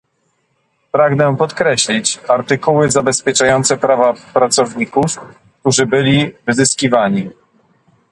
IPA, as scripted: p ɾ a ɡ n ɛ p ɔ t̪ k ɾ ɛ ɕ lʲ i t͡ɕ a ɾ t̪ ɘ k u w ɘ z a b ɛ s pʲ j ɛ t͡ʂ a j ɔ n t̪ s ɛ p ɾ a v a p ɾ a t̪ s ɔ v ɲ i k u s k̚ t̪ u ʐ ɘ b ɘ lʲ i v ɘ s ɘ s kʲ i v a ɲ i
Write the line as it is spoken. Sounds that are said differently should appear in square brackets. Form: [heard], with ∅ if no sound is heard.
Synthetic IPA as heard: p ɾ a ɡ n ɛ p ɔ t̪ k ɾ ɛ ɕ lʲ i t͡ɕ a ɾ t̪ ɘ k u w ɘ z a b ɛ s pʲ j ɛ t͡ʂ a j ɔ n t̪ s ɛ p ɾ a v a p ɾ a t̪ s ɔ v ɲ i k u [f] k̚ t̪ u ʐ ɘ b ɘ lʲ i v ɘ [z] ɘ s kʲ i v a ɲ i